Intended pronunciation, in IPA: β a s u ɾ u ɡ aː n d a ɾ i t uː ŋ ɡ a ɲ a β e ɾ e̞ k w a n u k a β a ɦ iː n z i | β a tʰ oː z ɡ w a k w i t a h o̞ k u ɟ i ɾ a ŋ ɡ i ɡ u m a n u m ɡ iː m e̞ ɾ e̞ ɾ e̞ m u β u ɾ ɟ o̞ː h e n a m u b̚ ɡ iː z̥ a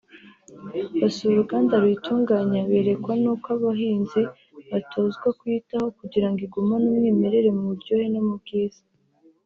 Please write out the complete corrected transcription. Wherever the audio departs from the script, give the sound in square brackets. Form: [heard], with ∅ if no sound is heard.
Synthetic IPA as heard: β a s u ɾ u ɡ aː n d a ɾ i t uː ŋ ɡ a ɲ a β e ɾ e̞ k w a n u k a β a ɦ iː n z i | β a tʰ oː z ɡ w a k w i t a h o̞ k u ɟ i ɾ a ŋ ɡ i ɡ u m a n u m [ŋ] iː m e̞ ɾ e̞ ɾ e̞ m u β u ɾ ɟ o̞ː h e n a m u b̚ ɡ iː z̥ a